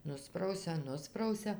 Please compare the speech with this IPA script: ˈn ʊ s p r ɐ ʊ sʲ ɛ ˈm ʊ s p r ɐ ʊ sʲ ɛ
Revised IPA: ˈn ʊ s p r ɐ ʊ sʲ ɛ ˈn ʊ s p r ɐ ʊ sʲ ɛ

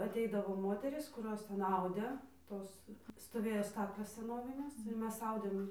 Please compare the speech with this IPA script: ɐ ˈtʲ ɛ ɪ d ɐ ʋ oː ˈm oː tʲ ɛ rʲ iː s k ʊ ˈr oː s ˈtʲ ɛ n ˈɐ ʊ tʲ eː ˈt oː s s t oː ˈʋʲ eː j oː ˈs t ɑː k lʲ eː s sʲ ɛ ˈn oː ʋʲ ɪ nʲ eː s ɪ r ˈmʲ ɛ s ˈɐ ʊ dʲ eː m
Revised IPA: ɐ ˈtʲ ɛ ɪ d ɐ ʋ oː ˈm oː tʲ ɛ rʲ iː s k ʊ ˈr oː s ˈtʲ ɛ n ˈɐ ʊ dʲ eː ˈt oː s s t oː ˈʋʲ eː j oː ˈs t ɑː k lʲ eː s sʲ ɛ ˈn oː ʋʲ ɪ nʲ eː s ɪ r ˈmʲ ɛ s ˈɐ ʊ dʲ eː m

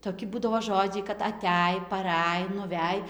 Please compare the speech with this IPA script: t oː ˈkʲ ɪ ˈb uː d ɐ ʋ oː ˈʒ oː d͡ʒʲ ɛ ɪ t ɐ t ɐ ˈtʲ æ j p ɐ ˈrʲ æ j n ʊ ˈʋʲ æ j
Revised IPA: t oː ˈkʲ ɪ ˈb uː d ɐ ʋ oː ˈʒ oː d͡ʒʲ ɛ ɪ k ɐ t ɐ ˈtʲ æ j p ɐ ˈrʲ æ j n ʊ ˈʋʲ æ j

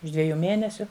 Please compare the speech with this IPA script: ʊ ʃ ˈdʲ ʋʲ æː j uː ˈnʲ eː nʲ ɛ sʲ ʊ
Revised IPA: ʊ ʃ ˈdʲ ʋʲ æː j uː ˈmʲ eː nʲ ɛ sʲ ʊ

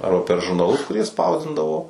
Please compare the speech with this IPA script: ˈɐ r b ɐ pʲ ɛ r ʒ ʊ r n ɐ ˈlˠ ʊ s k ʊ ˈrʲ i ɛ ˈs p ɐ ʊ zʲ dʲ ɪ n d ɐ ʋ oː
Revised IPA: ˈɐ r b ɐ pʲ ɛ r ʒ ʊ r n ɐ ˈlˠ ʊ s k ʊ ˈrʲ i ɛ ˈs p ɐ ʊ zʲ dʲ ɪ n d ɐ ʋ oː

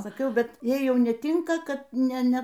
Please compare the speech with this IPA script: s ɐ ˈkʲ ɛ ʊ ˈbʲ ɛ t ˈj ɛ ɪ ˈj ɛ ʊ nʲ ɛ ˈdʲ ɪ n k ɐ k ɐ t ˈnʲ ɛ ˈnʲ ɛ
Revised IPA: s ɐ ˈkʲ ɛ ʊ ˈbʲ ɛ t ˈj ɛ ɪ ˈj ɛ ʊ nʲ ɛ ˈtʲ ɪ ŋ k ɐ k ɐ t ˈnʲ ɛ ˈnʲ ɛ

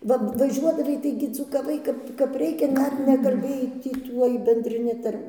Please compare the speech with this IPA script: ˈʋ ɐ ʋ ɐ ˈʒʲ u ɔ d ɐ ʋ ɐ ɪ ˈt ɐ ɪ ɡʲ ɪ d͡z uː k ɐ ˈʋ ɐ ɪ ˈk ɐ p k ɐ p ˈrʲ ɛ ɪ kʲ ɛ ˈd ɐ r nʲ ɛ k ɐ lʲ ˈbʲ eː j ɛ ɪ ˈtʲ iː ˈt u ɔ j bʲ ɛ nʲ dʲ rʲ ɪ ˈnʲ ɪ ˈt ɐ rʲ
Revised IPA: ˈʋ ɐ ʋ ɐ ˈʒʲ u ɔ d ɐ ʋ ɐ ɪ ˈt ɐ ɪ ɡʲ ɪ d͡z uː k ɐ ˈʋ ɐ ɪ ˈk ɐ p k ɐ p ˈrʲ ɛ ɪ kʲ ɛ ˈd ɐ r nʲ ɛ k ɐ lʲ ˈbʲ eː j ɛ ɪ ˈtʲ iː ˈt u ɔ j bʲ ɛ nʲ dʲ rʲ ɪ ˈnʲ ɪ ˈt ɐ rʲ

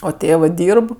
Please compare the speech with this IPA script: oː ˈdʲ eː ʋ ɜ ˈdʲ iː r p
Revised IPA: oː ˈtʲ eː ʋ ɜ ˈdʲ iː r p

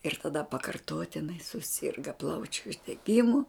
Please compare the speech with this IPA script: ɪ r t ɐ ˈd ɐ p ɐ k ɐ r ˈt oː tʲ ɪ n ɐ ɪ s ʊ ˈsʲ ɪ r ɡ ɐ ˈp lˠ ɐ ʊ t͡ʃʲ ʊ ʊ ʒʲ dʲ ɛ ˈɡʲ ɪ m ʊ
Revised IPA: ɪ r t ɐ ˈd ɐ p ɐ k ɐ r ˈt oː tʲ ɪ n ɐ ɪ s ʊ ˈsʲ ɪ r ɡ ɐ ˈp lˠ ɐ ʊ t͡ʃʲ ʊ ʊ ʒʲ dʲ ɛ ˈɡʲ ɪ m ʊ

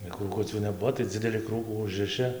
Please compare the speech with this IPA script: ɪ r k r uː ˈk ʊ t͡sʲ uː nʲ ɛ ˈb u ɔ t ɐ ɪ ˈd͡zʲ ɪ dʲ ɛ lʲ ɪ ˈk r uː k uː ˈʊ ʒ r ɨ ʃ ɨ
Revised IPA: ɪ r k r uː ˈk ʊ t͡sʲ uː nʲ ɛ ˈb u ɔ t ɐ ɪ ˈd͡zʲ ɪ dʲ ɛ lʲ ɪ ˈk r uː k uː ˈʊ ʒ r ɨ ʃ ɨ

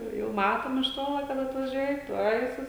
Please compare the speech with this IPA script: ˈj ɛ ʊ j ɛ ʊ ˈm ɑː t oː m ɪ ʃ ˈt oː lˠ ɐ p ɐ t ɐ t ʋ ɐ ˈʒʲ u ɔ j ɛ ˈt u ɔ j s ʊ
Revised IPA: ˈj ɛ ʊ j ɛ ʊ ˈm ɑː t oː m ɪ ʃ ˈt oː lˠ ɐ k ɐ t ɐ t ʋ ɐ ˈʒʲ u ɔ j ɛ ˈt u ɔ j s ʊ

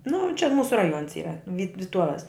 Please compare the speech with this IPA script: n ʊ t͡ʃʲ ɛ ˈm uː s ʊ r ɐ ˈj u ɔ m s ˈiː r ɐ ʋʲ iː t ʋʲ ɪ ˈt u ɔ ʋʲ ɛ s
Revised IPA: n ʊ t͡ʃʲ ɛ ˈm uː s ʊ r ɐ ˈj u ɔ n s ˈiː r ɐ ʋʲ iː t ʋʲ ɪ ˈt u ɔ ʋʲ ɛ s

